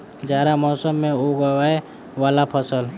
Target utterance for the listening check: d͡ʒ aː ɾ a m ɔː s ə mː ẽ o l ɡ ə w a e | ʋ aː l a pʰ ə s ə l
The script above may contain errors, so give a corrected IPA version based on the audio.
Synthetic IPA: d͡ʒ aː ɾ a m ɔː s ə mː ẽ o ɡ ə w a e | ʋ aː l a pʰ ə s ə l